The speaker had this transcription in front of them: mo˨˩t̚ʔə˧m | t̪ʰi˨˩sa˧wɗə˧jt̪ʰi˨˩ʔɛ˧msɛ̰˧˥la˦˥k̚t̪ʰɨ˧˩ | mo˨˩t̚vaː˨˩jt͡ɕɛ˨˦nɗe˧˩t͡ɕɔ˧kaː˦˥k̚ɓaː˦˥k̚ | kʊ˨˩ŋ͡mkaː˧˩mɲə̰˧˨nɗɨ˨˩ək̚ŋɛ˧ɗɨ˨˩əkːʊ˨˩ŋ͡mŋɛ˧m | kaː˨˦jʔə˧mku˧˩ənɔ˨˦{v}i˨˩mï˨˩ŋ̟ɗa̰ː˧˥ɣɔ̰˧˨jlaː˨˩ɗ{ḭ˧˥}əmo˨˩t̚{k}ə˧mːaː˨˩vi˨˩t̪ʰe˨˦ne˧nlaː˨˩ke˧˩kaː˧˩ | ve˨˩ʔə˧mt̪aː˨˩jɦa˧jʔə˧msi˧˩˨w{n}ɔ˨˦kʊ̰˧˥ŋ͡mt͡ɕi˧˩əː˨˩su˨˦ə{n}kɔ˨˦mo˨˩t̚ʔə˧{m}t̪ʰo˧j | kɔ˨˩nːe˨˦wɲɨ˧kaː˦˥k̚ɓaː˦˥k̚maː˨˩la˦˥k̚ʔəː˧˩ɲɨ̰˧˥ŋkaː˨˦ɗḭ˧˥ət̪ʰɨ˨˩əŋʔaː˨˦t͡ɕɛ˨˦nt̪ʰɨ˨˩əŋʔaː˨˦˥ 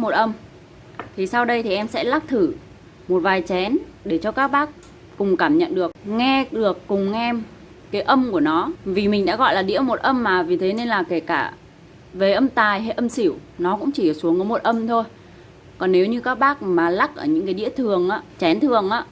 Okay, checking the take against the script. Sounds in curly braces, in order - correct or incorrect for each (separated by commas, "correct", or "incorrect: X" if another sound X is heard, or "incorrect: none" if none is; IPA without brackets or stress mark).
correct, correct, incorrect: ʔ, correct, incorrect: ŋ, correct